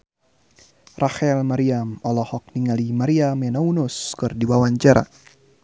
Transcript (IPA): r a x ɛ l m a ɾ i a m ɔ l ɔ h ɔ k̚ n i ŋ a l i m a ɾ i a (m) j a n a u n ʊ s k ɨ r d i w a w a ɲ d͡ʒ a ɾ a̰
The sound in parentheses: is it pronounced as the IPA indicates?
yes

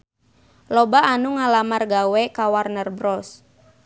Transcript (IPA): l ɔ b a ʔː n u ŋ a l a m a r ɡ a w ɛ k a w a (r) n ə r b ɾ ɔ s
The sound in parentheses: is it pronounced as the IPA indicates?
yes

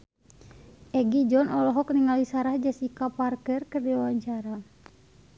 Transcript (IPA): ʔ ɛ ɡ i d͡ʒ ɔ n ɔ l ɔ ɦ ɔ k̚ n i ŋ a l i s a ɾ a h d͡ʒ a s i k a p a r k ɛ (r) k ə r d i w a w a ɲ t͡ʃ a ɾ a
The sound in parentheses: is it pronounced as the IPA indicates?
yes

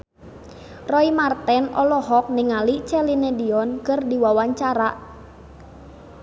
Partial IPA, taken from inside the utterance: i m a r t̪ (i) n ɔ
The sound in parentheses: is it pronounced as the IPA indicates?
no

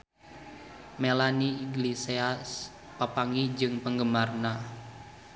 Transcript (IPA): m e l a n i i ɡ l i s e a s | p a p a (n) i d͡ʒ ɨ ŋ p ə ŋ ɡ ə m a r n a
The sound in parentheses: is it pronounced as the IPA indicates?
no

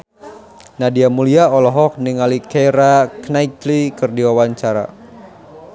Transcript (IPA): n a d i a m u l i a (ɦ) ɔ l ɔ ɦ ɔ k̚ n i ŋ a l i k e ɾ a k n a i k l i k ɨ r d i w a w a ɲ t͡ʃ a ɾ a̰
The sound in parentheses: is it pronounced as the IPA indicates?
no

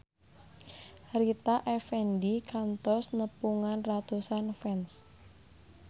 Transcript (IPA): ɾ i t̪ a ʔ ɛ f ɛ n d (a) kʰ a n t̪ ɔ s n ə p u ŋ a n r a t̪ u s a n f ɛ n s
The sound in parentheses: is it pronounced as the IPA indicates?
no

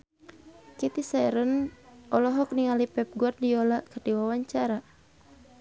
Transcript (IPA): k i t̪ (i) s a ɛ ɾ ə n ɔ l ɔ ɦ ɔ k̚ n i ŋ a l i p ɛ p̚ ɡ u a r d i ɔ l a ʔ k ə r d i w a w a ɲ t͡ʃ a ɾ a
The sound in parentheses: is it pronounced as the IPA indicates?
yes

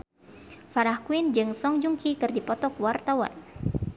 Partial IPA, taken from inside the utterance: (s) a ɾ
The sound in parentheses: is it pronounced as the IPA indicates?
no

